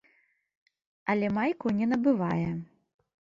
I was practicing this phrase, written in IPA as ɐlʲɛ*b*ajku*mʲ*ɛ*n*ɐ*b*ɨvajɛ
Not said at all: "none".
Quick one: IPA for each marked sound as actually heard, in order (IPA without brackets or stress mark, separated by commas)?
m, nʲ, n, b